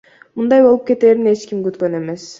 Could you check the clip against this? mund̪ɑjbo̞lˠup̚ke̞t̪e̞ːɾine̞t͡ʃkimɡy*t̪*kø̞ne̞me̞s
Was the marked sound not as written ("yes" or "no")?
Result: no